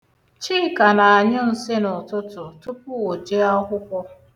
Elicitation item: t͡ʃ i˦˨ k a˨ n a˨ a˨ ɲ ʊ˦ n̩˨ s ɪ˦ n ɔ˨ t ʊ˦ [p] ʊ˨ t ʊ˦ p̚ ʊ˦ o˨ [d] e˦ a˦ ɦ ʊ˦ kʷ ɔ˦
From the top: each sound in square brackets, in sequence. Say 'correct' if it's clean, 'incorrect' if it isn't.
incorrect: t, incorrect: d͡ʒ

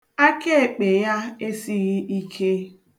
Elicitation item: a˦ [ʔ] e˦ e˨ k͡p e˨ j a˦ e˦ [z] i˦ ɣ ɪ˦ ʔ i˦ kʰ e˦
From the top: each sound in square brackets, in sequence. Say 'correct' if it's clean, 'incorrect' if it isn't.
incorrect: k, incorrect: s

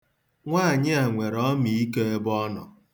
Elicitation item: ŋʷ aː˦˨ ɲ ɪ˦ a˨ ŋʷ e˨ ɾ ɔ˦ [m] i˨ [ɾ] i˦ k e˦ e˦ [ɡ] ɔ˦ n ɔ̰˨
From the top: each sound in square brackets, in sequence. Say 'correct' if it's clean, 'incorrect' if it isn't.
correct, incorrect: none, incorrect: b

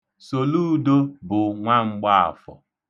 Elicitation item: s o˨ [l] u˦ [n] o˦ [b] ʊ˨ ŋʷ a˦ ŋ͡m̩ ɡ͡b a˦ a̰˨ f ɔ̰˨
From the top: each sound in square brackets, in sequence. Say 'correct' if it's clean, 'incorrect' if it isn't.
correct, incorrect: d, correct

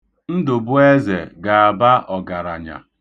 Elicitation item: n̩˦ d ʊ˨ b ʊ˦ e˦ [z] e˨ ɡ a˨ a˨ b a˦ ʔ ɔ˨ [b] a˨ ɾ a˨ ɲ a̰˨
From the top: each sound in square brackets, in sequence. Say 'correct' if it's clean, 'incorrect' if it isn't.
correct, incorrect: ɡ

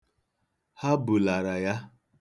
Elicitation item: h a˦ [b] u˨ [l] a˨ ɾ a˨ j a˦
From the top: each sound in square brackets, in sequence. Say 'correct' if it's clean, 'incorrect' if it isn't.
correct, correct

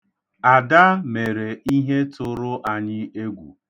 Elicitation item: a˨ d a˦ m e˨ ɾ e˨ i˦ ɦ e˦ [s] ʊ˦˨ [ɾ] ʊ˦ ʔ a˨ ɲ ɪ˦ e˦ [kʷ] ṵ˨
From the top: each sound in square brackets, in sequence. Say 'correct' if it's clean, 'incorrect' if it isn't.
incorrect: t, correct, incorrect: ɡʷ

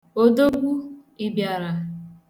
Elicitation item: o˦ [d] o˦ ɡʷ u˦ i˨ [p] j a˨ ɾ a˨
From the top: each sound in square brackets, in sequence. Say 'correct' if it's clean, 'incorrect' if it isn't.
correct, incorrect: b

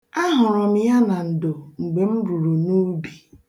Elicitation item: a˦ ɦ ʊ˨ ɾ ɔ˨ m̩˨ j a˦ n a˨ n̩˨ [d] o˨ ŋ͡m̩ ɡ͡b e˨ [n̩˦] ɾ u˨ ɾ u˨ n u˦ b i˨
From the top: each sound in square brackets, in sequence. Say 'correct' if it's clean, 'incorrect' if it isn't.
correct, incorrect: m̩˦

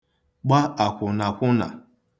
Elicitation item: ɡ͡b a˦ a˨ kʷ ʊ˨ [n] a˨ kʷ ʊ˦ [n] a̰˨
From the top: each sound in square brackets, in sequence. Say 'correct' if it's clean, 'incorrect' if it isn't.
correct, correct

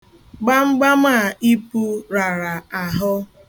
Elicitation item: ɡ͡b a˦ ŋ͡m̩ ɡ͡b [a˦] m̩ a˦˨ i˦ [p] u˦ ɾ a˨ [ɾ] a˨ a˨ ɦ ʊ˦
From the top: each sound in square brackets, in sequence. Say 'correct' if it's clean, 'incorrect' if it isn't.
correct, correct, correct

